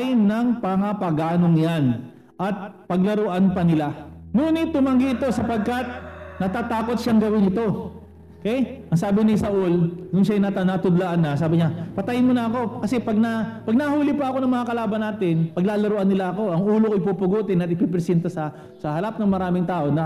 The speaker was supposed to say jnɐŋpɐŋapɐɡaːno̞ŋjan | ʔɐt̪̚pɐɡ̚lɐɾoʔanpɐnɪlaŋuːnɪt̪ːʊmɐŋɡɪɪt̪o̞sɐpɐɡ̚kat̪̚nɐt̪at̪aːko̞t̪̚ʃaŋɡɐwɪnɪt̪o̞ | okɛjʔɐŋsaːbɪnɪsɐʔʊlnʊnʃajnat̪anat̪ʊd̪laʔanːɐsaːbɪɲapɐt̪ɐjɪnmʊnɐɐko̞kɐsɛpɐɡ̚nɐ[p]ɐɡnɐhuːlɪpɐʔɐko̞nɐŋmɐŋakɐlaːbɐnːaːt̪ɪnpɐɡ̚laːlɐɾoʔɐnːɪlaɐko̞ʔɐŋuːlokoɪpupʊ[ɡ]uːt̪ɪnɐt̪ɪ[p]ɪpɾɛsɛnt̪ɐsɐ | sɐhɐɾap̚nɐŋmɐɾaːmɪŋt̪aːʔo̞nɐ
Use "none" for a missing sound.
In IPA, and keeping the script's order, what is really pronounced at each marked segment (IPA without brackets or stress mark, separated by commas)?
p, ɡ, p